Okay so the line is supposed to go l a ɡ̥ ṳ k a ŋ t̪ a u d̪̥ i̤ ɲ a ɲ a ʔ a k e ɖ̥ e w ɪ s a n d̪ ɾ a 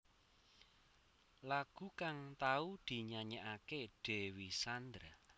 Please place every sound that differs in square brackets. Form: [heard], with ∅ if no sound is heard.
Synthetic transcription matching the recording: l a ɡ̥ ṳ k a ŋ t̪ a u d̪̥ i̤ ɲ a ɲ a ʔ a k e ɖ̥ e w [i] s a n d̪ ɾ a